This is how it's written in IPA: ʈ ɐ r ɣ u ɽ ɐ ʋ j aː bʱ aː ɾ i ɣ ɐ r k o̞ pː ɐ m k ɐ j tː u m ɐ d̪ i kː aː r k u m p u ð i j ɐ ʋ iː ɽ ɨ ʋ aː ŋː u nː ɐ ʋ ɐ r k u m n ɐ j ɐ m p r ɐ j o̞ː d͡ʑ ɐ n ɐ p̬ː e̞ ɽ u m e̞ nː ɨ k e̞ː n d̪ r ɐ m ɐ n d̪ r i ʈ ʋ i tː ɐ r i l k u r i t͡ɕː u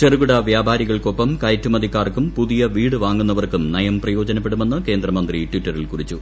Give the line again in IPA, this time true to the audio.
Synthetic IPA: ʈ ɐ r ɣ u ɽ ɐ ʋ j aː bʱ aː ɾ i ɣ ɐ ɭ k o̞ pː ɐ m k ɐ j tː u m ɐ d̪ i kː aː r k u m p u ð i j ɐ ʋ iː ɽ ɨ ʋ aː ŋː u nː ɐ ʋ ɐ r k u m n ɐ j ɐ m p r ɐ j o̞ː d͡ʑ ɐ n ɐ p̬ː e̞ ɽ u m e̞ nː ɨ k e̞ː n d̪ r ɐ m ɐ n d̪ r i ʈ ʋ i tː ɐ r i l k u r i t͡ɕː u